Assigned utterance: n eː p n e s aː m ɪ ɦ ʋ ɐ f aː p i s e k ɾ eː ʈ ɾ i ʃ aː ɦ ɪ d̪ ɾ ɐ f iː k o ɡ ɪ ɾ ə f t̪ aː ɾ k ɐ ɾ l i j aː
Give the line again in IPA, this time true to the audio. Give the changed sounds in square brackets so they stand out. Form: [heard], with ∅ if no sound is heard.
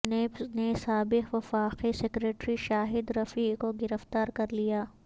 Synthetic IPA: n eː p n e s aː [b] ɪ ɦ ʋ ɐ f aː [q] i s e k ɾ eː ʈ ɾ i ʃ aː ɦ ɪ d̪ ɾ ɐ f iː k o ɡ ɪ ɾ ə f t̪ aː ɾ k ɐ ɾ l i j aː